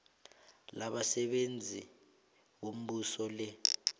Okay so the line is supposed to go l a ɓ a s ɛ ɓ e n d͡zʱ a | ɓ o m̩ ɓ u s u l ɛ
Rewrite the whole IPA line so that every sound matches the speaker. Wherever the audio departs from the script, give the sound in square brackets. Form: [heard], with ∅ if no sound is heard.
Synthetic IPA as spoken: l a ɓ a s ɛ ɓ e n d͡zʱ [i] | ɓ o m̩ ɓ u s [ɔ] l ɛ